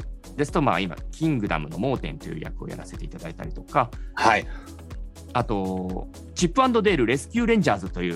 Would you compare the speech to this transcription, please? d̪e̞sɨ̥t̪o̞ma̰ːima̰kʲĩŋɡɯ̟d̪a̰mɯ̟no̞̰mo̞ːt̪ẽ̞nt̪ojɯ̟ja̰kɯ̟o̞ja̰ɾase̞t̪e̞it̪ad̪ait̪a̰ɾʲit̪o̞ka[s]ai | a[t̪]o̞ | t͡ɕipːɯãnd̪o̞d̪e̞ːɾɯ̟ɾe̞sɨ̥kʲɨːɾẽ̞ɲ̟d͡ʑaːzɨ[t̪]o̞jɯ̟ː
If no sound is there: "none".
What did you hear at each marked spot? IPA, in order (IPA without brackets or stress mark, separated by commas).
h, t̪, t̪